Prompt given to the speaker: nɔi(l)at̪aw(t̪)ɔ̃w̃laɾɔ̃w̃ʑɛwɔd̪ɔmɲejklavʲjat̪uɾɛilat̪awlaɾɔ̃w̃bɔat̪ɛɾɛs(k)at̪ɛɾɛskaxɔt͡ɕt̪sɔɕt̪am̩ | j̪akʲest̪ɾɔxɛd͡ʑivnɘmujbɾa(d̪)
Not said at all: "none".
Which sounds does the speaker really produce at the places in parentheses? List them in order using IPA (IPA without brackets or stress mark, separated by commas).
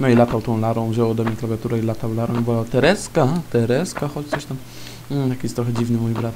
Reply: l, t̪, k, t̪